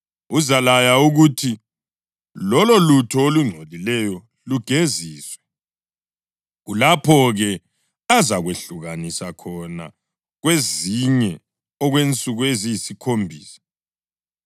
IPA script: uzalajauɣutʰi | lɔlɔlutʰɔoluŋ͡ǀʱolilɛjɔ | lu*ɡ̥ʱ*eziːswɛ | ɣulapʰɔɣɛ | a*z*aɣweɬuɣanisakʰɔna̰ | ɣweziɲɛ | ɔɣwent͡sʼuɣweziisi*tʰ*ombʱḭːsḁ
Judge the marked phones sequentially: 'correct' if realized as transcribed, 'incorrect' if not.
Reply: correct, correct, incorrect: kʰ

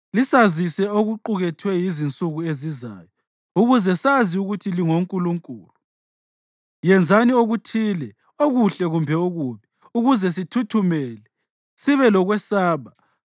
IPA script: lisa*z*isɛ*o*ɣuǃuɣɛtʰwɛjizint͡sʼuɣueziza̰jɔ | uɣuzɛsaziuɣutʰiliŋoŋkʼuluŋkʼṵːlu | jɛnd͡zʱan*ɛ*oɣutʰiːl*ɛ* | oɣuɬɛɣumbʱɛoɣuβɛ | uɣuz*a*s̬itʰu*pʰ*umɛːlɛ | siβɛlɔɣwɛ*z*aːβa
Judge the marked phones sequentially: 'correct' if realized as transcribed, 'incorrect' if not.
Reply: correct, correct, incorrect: i, correct, incorrect: ɛ, incorrect: tʰ, incorrect: s

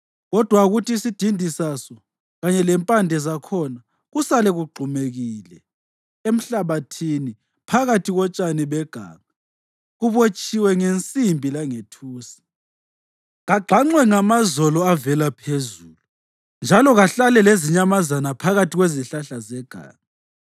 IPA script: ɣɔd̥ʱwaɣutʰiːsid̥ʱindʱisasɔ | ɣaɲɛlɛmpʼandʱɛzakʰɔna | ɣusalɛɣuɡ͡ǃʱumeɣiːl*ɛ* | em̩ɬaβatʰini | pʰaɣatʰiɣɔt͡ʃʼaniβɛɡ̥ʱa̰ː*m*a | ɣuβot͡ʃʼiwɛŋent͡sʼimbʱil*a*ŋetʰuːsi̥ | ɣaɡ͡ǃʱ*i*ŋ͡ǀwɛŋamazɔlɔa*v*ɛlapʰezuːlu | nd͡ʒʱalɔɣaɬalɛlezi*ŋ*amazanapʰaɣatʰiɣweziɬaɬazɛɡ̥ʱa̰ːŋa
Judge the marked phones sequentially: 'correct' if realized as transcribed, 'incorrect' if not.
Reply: correct, incorrect: ŋ, correct, incorrect: a, correct, incorrect: ɲ

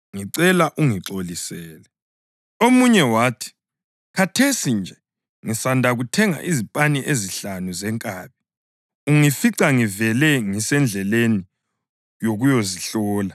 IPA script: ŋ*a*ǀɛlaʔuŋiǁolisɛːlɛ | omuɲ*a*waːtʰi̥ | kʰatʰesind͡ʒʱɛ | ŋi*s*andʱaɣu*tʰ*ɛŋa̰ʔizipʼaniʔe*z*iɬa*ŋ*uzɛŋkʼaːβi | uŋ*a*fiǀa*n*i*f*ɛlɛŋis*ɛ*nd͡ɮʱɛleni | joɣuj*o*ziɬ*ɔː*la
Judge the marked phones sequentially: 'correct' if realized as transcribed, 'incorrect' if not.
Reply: incorrect: i, incorrect: ɛ, correct, correct, correct, incorrect: n, incorrect: i, incorrect: ŋ, incorrect: v, correct, correct, correct

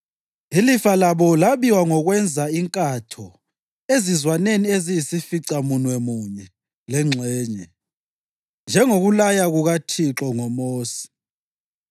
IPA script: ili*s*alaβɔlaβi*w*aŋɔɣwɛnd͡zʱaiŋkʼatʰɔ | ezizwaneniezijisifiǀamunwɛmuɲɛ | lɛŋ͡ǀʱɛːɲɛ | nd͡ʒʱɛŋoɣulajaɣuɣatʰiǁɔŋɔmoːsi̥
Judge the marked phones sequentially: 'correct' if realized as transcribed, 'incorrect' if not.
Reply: incorrect: f, correct

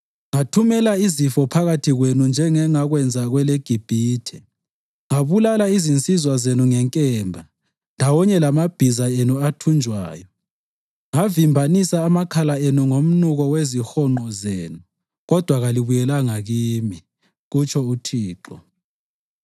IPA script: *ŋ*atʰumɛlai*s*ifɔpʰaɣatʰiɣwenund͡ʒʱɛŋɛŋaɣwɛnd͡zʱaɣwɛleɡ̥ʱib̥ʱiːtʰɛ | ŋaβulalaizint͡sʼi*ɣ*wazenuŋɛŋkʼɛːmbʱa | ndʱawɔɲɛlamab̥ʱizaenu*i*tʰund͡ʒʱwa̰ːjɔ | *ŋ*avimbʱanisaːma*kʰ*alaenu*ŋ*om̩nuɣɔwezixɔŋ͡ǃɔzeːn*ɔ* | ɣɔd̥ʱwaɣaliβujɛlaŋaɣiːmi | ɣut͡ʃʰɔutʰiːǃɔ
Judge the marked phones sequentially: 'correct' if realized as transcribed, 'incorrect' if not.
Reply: correct, incorrect: z, incorrect: z, incorrect: a, correct, correct, correct, incorrect: u

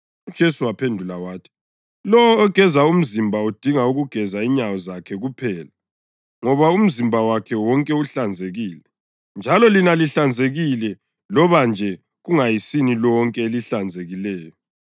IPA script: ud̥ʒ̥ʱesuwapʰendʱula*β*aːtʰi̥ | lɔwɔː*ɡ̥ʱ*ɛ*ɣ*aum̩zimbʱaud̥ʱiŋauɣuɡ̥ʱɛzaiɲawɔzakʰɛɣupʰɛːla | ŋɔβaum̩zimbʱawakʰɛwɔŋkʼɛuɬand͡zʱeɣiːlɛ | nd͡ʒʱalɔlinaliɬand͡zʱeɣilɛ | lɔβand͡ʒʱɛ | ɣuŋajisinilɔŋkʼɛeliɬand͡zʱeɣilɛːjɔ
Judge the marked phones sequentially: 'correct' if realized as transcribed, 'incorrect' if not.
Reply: incorrect: w, correct, incorrect: z

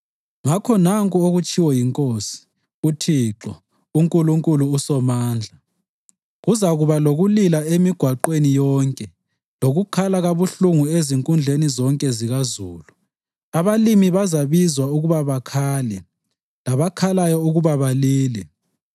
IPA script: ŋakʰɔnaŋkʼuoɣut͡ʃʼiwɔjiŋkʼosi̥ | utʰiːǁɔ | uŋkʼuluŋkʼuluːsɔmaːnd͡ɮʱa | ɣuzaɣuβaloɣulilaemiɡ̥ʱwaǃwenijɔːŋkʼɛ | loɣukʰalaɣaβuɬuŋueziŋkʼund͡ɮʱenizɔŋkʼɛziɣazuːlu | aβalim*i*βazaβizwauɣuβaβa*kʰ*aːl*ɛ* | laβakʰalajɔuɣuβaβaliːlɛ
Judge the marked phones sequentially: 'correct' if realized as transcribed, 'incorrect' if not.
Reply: correct, correct, correct

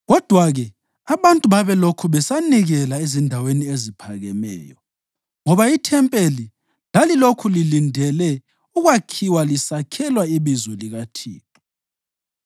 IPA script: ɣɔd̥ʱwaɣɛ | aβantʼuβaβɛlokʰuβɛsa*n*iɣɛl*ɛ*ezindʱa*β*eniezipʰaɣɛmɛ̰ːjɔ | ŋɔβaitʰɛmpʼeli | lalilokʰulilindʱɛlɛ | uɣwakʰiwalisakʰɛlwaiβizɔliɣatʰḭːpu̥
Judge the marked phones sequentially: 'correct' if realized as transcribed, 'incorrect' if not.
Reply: correct, incorrect: a, incorrect: w

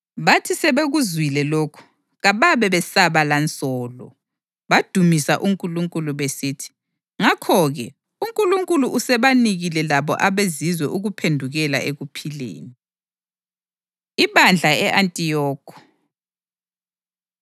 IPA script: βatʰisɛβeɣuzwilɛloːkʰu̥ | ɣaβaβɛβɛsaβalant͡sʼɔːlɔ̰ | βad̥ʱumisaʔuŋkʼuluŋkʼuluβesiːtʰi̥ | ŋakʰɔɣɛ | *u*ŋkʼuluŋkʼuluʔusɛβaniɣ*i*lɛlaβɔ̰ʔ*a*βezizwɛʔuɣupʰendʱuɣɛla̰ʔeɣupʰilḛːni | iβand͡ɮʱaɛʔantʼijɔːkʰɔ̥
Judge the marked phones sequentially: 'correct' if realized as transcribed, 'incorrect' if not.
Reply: correct, correct, correct

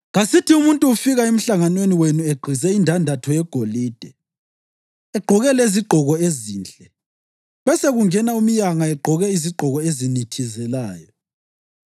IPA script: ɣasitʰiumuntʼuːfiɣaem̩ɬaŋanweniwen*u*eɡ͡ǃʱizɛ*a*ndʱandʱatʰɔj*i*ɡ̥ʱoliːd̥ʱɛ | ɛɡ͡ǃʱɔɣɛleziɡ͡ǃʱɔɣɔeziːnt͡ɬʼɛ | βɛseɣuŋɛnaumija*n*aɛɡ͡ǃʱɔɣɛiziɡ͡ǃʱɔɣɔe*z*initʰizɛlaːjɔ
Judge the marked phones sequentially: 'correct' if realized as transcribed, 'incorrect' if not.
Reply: correct, incorrect: i, incorrect: ɛ, incorrect: ŋ, correct

